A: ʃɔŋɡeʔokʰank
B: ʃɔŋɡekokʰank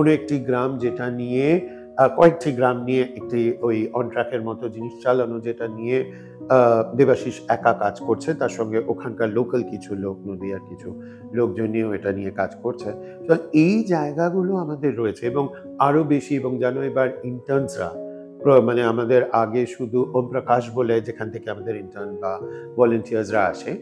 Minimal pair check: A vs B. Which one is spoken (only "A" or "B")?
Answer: A